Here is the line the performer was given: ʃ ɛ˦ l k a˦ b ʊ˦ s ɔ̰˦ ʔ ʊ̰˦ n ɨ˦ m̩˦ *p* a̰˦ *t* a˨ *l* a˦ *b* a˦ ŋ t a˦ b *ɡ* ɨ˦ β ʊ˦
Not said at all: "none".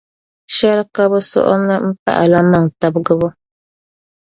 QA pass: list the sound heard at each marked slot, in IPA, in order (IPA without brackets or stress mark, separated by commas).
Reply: p, ʔ, l, m, ɡ